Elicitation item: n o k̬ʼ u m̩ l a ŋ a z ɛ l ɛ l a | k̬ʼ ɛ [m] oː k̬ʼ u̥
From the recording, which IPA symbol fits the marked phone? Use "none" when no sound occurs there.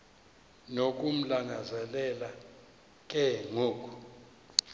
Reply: ŋ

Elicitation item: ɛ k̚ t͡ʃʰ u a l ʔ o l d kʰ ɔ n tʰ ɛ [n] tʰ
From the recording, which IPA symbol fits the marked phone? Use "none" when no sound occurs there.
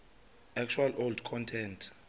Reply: n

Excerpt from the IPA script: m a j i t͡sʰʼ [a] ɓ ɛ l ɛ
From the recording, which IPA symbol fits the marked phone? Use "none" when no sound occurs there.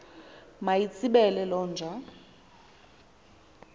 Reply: i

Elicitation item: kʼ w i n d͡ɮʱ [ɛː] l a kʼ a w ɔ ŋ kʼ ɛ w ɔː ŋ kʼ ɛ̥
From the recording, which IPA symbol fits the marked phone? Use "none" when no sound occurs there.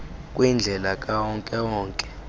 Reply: ɛ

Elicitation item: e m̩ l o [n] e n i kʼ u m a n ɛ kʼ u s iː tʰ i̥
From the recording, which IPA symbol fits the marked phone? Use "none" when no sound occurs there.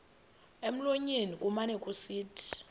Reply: ɲ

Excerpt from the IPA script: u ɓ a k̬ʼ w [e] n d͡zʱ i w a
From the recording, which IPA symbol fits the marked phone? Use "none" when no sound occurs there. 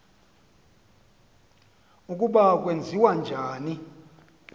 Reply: e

